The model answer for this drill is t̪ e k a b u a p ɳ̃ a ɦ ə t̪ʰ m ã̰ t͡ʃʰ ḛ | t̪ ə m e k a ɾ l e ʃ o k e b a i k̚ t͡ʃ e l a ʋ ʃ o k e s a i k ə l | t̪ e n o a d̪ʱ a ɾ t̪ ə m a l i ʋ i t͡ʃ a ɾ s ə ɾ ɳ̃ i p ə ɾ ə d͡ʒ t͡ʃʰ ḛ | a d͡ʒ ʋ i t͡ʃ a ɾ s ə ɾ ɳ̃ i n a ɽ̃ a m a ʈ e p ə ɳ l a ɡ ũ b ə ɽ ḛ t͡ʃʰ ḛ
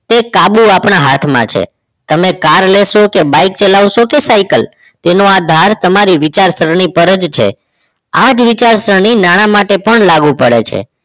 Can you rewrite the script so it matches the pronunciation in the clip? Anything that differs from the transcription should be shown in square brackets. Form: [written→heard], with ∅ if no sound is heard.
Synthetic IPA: t̪ e k a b u a p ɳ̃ a ɦ [ə→a] t̪ʰ m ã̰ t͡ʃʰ ḛ | t̪ ə m e k a ɾ l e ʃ o k e b a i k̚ t͡ʃ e l a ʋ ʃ o k e s a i k ə l | t̪ e n o a d̪ʱ a ɾ t̪ ə m a [l→ɾ] i ʋ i t͡ʃ a ɾ s ə ɾ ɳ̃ i p ə ɾ ə d͡ʒ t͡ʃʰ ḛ | a d͡ʒ ʋ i t͡ʃ a ɾ s ə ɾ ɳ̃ i n a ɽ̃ a m a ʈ e p ə ɳ l a ɡ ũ [b→p] ə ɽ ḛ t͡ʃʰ ḛ

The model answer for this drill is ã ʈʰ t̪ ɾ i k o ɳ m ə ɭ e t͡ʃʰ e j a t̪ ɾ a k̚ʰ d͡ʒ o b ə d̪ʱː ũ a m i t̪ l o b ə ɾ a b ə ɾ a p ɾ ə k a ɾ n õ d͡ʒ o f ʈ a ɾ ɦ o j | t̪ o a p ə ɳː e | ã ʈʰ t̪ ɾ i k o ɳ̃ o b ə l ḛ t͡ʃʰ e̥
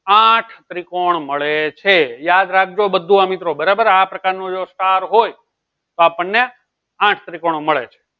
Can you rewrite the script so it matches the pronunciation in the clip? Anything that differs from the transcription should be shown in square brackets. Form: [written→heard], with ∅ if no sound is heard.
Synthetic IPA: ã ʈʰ t̪ ɾ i k o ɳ m ə ɭ e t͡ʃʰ e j a [t̪→d̪] ɾ a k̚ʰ d͡ʒ o b ə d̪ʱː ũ a m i t̪ [l→ɾ] o b ə ɾ a b ə ɾ a p ɾ ə k a ɾ n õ d͡ʒ o [f→s] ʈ a ɾ ɦ o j | t̪ o a p ə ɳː e | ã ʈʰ t̪ ɾ i k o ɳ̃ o [b→m] ə [l→ɭ] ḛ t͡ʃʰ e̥

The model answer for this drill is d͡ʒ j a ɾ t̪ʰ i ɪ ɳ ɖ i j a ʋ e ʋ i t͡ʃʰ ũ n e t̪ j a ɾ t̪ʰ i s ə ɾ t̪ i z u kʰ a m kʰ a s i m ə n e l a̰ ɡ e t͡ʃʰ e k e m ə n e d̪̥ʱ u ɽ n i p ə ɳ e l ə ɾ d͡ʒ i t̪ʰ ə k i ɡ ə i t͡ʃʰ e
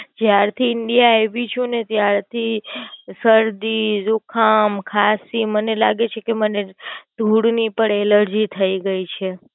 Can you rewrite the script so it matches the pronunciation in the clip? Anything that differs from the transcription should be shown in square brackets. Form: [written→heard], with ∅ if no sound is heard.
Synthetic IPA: d͡ʒ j a ɾ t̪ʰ i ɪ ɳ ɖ i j a [ʋ→∅] e ʋ i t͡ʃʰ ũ n e t̪ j a ɾ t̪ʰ i s ə ɾ [t̪→d̪] i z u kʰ a m kʰ a s i m ə n e l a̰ ɡ e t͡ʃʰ e k e m ə n e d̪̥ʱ u ɽ n i p ə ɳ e l ə ɾ d͡ʒ i t̪ʰ ə [k→∅] i ɡ ə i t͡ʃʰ e

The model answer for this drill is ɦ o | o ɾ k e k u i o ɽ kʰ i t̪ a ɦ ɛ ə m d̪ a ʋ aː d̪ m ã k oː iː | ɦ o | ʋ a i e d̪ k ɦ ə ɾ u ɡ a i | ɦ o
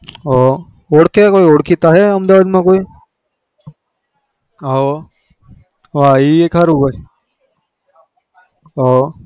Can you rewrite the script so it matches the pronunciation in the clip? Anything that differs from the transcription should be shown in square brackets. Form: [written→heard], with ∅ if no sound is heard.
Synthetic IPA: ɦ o | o [ɾ→ɽ] k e k [u→o] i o ɽ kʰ i t̪ a ɦ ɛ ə m d̪ a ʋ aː d̪ m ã k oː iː | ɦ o | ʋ a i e [d̪→∅] k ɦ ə ɾ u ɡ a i | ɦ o

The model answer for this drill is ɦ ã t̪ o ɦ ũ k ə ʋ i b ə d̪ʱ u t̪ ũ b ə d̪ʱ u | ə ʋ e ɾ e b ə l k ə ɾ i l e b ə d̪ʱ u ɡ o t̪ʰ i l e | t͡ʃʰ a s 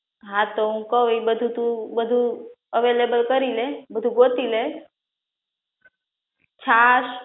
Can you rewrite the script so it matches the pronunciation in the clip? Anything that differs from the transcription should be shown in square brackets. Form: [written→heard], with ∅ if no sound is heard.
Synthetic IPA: ɦ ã t̪ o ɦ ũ k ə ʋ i b ə d̪ʱ u t̪ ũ b ə d̪ʱ u | ə ʋ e [ɾ→l] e b ə l k ə ɾ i l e b ə d̪ʱ u ɡ o [t̪ʰ→t̪] i l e | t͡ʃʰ a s

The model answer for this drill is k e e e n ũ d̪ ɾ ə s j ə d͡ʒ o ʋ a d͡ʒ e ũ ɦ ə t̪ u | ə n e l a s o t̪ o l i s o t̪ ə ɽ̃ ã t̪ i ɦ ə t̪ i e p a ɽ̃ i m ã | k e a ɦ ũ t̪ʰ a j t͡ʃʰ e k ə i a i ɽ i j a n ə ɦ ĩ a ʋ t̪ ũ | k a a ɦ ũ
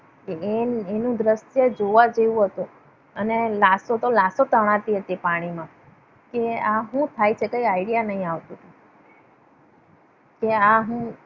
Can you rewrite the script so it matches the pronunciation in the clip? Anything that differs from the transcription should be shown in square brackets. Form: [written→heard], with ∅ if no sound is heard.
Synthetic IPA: k e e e n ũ d̪ ɾ ə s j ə d͡ʒ o ʋ a d͡ʒ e ũ ɦ ə t̪ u | ə n e l a s o t̪ o l [i→a] s o t̪ ə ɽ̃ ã t̪ i ɦ ə t̪ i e p a ɽ̃ i m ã | k e a ɦ ũ t̪ʰ a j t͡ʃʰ e k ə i a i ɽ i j a n ə ɦ ĩ a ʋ t̪ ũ | k [a→e] a ɦ ũ

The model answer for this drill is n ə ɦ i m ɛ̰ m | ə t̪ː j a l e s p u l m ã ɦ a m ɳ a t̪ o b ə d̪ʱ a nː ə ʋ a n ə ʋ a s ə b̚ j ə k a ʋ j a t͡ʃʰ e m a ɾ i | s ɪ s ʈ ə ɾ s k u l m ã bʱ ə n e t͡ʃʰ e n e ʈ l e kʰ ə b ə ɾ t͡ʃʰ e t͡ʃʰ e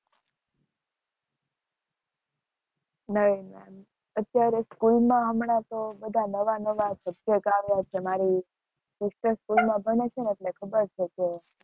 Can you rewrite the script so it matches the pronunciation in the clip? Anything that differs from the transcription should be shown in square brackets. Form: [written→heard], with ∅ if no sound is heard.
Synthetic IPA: n ə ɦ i m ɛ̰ m | ə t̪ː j a [l→ɾ] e s [p→k] u l m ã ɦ [a→ə] m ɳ a t̪ o b ə d̪ʱ a [nː→n] ə ʋ a n ə ʋ a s ə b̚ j ə k a ʋ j a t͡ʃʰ e m a ɾ i | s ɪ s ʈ ə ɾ s k u l m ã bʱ ə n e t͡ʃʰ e n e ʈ l e kʰ ə b ə ɾ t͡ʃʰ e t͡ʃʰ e

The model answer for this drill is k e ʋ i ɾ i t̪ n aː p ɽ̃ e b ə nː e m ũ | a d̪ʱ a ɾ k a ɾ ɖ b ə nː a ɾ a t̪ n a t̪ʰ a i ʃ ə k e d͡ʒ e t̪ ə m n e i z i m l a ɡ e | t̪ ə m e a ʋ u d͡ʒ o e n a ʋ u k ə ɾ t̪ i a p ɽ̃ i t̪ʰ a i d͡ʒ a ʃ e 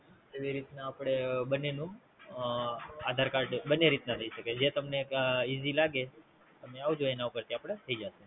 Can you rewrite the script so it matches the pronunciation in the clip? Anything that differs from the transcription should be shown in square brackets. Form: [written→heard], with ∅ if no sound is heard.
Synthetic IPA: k e ʋ i ɾ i t̪ n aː p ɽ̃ e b ə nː e [m→n] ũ | a d̪ʱ a ɾ k a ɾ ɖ b ə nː [a→e] ɾ [a→i] t̪ n a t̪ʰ [a→ə] i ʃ ə k e d͡ʒ e t̪ ə m n e i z i [m→∅] l a ɡ e | t̪ ə m e a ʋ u d͡ʒ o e n a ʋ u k ə ɾ t̪ i a p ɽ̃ [i→e] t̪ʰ [a→ə] i d͡ʒ a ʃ e

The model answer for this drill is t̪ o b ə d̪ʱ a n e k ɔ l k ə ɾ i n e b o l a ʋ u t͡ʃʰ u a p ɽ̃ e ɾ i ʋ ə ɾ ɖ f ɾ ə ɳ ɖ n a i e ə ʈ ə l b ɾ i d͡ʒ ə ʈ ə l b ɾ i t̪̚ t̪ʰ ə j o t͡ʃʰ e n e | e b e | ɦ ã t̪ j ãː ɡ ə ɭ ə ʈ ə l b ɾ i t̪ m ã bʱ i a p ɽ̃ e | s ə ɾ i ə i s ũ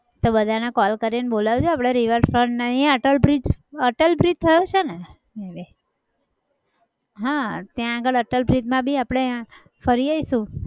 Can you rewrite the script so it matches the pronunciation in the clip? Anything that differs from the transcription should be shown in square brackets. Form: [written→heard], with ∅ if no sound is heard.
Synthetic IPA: t̪ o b ə d̪ʱ a n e k ɔ l k ə ɾ i n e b o l a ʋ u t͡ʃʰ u a p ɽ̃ e ɾ i ʋ ə ɾ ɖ f ɾ ə ɳ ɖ n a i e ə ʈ ə l b ɾ i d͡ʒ ə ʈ ə l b ɾ i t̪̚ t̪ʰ ə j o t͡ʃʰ e n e | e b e | ɦ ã t̪ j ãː ɡ ə ɭ ə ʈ ə l b ɾ i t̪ m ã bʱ i a p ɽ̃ e | [s→f] ə ɾ i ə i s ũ

